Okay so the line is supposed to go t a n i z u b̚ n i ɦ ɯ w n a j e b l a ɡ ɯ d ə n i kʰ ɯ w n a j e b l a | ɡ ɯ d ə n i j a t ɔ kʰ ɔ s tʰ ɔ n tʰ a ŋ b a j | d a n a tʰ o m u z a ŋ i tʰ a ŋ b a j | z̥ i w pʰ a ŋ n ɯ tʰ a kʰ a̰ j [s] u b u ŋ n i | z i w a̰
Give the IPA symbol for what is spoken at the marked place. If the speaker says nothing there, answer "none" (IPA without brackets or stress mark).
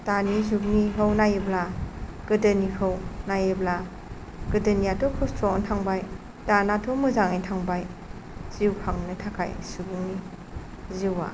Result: s